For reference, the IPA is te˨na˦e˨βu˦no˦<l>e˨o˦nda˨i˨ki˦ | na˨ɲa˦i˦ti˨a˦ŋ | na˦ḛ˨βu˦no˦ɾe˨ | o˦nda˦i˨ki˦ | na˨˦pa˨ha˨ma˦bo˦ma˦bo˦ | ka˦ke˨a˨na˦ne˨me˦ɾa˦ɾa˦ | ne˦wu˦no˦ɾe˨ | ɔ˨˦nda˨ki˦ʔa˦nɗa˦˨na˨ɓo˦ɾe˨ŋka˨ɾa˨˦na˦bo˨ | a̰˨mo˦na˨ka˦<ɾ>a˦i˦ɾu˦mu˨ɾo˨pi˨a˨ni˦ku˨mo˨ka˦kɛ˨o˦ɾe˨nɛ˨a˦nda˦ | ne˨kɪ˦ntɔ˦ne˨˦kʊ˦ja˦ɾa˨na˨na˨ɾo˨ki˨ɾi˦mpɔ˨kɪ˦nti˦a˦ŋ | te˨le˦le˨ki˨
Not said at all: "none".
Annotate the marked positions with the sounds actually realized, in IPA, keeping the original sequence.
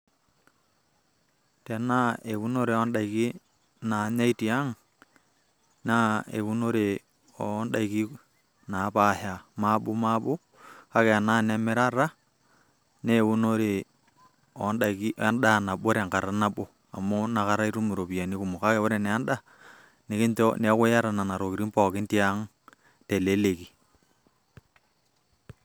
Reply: ɾ, ɾ

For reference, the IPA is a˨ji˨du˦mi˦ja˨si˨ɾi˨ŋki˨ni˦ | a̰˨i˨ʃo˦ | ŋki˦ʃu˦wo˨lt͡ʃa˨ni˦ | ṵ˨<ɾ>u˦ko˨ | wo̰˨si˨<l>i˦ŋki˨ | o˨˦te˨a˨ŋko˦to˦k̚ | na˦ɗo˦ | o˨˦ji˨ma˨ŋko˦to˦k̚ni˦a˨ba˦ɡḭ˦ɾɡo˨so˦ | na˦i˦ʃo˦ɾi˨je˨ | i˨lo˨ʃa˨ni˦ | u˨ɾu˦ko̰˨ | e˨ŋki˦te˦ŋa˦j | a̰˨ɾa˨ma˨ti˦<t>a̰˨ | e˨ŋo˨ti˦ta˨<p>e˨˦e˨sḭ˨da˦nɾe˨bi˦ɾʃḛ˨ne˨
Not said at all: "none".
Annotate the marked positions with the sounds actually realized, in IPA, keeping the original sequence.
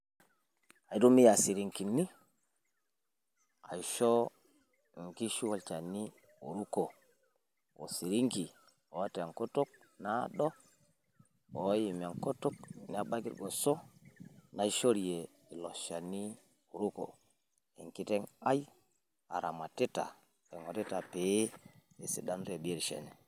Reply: ɾ, ɾ, t, p

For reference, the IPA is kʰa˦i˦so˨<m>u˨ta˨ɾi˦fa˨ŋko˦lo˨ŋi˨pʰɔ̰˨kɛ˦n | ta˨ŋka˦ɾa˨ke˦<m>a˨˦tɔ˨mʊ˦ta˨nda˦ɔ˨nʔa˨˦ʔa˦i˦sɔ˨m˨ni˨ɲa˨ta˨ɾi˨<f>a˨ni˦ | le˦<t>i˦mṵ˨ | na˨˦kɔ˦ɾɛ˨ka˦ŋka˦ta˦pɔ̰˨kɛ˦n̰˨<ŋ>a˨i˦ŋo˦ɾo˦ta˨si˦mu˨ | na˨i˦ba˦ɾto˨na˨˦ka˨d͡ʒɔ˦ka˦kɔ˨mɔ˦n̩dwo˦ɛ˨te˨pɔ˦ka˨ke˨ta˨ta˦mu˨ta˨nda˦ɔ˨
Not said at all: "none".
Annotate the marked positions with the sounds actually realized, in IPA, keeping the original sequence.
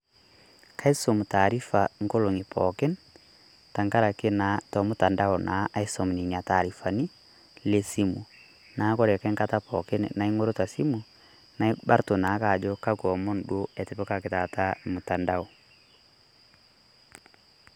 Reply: m, n, f, s, n

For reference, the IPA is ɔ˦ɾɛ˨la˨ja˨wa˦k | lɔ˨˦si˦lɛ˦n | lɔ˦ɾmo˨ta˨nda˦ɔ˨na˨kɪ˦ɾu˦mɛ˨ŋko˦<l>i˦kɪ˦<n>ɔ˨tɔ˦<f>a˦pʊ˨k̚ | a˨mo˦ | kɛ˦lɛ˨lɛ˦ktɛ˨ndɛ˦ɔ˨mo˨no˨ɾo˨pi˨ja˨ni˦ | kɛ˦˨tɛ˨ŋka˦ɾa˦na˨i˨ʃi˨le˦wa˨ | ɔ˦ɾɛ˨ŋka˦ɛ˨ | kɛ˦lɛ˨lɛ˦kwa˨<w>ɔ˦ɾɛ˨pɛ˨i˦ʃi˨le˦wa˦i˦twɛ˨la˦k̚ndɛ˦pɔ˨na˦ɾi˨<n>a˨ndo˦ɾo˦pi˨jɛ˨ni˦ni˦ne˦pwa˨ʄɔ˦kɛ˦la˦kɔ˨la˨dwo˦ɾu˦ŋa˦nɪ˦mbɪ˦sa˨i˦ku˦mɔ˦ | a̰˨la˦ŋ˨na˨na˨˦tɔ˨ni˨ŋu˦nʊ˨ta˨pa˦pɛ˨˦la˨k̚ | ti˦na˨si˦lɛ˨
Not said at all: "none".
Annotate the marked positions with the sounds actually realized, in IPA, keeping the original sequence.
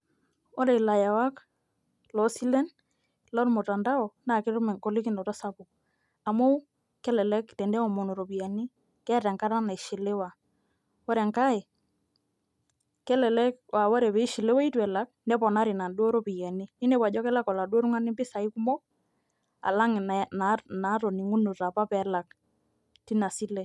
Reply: l, n, s, w, n

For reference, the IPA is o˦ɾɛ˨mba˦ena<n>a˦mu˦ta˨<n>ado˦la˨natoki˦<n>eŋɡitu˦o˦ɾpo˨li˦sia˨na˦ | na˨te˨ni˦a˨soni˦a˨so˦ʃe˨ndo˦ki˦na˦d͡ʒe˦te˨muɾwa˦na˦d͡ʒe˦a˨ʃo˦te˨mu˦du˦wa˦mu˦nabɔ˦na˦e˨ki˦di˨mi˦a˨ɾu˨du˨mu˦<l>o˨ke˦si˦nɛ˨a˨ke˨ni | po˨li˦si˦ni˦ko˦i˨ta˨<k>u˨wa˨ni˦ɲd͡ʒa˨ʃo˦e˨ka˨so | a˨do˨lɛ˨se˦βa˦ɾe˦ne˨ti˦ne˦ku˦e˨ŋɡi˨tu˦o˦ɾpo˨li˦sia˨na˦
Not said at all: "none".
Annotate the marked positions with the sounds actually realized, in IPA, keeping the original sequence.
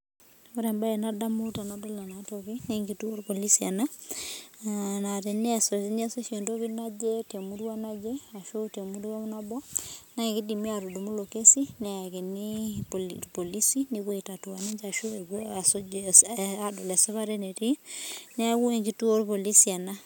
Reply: d, n, n, l, t

